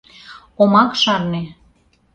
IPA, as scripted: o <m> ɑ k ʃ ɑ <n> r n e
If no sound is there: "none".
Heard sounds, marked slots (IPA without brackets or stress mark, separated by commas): m, none